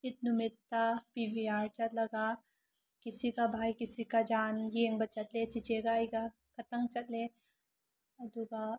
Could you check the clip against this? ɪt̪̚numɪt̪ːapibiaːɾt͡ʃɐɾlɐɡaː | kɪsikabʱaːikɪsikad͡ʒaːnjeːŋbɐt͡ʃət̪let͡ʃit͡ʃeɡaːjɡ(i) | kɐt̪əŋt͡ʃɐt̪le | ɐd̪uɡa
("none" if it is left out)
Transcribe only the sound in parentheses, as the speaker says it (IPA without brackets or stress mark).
a